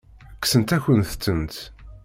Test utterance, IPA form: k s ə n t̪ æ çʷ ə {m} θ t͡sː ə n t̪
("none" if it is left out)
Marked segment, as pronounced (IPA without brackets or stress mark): n